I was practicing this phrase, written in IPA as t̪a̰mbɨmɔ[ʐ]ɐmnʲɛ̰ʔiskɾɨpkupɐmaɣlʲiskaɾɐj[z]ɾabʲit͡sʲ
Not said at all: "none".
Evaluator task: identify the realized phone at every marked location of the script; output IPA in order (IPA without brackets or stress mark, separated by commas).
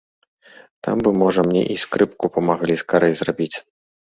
ʐ, z